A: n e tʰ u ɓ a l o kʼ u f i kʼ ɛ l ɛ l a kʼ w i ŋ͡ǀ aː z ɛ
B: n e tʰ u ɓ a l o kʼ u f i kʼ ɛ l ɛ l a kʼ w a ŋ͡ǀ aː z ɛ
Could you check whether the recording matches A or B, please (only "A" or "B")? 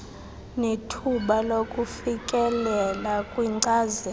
A